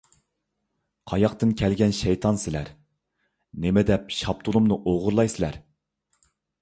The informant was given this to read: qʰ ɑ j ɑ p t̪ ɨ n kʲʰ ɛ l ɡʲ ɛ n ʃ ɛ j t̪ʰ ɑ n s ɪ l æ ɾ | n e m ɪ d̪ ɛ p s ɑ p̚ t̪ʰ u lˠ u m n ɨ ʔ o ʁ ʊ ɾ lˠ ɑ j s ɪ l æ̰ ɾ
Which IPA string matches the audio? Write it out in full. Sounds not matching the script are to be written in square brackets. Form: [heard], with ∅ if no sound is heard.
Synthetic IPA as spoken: qʰ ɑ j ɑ [q] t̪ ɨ n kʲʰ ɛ l ɡʲ ɛ n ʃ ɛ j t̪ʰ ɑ n s ɪ l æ ɾ | n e m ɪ d̪ ɛ p [ʃ] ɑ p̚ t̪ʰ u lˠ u m n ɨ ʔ o ʁ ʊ ɾ lˠ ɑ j s ɪ l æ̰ ɾ